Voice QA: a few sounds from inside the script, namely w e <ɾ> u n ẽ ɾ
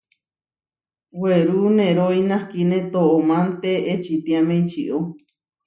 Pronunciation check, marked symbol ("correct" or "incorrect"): correct